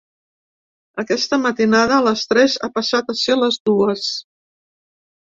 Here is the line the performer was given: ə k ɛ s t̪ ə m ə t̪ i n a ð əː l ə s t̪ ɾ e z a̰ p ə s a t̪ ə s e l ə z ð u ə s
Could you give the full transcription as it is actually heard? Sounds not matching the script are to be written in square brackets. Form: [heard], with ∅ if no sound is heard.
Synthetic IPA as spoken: ə k ɛ s t̪ ə m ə t̪ i n a ð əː l ə s t̪ ɾ [ɛ] z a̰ p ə s a t̪ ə s e l ə z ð u ə s